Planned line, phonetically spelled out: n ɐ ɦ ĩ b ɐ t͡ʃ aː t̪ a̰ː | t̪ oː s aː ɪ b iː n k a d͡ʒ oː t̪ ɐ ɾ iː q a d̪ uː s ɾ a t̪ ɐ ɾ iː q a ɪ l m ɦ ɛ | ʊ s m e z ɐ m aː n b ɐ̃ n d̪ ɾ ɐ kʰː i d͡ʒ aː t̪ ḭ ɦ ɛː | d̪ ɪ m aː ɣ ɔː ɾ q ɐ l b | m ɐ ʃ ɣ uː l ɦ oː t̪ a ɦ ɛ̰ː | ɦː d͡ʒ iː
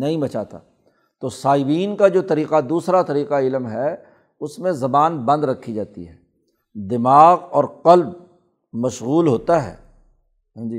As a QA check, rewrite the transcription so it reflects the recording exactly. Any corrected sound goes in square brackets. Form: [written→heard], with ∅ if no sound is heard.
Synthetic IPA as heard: n ɐ ɦ ĩ b ɐ t͡ʃ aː t̪ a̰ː | t̪ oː s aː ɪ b iː n k a d͡ʒ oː t̪ ɐ ɾ iː q a d̪ uː s ɾ a t̪ ɐ ɾ iː q a ɪ l m ɦ ɛ | ʊ s m [e→ẽ] z ɐ [m→b] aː n b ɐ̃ n d̪ ɾ ɐ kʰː i d͡ʒ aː t̪ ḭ ɦ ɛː | d̪ ɪ m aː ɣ ɔː ɾ q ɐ l b | m ɐ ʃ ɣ uː l ɦ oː t̪ a ɦ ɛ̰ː | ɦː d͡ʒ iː